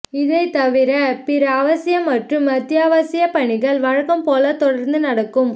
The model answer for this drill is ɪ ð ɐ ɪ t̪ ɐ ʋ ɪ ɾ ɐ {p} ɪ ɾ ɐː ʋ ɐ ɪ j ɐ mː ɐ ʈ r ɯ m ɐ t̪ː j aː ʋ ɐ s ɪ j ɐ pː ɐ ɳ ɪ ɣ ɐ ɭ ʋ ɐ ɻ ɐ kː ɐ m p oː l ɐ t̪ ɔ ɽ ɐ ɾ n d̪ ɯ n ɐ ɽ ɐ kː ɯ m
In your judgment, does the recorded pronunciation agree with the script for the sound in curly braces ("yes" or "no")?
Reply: yes